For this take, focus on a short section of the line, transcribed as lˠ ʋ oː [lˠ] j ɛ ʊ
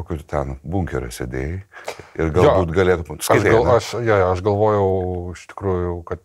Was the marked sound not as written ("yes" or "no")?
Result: yes